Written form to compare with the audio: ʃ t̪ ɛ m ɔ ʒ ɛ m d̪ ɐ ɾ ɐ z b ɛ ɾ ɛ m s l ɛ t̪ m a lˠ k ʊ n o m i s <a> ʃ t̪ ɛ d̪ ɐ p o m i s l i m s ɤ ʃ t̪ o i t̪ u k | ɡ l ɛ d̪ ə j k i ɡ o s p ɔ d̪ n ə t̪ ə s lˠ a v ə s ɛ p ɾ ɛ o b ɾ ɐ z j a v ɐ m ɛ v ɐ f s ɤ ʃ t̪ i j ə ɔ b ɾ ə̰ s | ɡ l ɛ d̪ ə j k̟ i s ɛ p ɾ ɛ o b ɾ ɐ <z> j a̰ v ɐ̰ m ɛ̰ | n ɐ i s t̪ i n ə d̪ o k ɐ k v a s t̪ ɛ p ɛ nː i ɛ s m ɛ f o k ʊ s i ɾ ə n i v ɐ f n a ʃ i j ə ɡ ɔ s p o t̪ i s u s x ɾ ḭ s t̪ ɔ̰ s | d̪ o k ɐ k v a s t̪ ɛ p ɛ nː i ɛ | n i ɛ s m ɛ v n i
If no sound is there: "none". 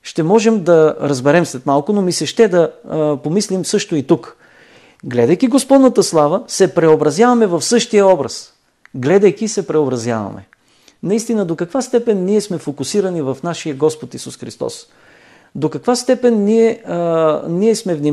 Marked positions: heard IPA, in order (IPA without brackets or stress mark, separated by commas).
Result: ɛ, z